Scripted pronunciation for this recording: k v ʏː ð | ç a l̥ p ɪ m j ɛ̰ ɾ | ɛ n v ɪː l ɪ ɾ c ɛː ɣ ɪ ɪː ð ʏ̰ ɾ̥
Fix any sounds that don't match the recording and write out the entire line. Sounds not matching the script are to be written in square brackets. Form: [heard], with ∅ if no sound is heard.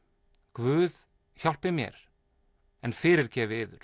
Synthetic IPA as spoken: k v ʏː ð | ç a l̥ p ɪ m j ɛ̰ ɾ | ɛ n [f] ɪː [ɾ] ɪ ɾ c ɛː [v] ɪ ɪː ð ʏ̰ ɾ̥